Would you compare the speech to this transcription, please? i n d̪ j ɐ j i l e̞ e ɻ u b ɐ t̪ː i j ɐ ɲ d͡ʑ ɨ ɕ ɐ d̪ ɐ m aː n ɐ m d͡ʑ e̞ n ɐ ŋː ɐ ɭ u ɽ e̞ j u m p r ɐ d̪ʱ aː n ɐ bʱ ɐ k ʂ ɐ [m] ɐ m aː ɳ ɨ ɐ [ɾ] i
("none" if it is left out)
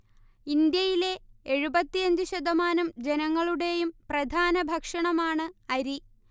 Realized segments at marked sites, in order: ɳ, ɾ

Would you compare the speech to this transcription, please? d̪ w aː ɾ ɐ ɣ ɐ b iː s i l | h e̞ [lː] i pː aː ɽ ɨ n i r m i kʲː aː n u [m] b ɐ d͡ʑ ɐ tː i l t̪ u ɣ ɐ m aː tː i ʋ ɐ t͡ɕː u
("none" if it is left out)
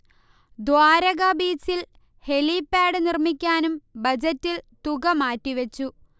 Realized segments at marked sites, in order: l, m

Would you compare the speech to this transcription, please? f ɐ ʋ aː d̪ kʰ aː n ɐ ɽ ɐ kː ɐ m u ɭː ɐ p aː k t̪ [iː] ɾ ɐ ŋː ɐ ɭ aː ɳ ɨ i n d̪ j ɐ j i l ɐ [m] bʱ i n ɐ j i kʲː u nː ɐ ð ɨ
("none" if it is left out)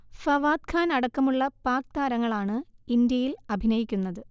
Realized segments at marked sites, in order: aː, none

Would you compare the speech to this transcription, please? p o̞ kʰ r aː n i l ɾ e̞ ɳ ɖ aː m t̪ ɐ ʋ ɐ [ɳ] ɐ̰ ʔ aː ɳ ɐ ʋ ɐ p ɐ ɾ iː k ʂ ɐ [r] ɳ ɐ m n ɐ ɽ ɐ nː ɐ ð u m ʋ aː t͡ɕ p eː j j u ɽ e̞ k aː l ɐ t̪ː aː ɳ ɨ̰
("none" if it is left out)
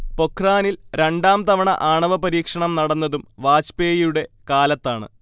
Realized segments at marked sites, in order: ɳ, none

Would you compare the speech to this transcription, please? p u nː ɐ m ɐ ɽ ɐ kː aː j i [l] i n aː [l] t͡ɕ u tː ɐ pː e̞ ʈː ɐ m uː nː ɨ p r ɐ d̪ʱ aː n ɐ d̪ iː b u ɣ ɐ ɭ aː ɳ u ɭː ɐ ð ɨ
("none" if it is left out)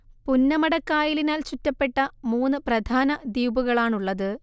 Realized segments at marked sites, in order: l, l

